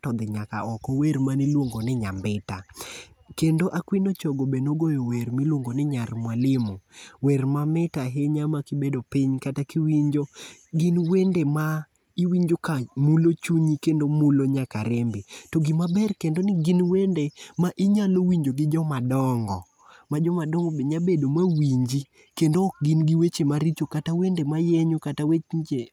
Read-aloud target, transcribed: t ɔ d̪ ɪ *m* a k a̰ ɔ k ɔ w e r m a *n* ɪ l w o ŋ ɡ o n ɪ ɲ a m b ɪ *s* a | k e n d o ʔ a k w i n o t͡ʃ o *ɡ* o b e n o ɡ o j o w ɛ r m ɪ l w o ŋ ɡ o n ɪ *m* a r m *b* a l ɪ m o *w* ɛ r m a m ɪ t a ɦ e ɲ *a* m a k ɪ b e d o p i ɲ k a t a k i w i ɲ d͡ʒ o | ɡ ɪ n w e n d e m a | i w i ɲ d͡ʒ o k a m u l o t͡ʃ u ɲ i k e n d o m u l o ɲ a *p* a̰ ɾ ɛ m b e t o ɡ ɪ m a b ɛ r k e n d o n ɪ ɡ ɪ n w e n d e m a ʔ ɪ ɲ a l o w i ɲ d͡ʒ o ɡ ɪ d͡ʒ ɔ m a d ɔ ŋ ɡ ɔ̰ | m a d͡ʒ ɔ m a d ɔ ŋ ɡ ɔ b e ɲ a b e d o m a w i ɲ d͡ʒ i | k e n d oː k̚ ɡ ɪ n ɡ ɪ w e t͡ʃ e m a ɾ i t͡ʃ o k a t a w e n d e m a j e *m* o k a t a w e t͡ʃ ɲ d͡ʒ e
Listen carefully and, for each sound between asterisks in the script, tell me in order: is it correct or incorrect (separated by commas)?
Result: incorrect, correct, incorrect, correct, incorrect, incorrect, correct, correct, incorrect, incorrect